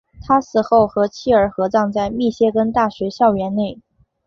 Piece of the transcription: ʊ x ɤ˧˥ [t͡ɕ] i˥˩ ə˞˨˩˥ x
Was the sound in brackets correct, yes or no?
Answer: no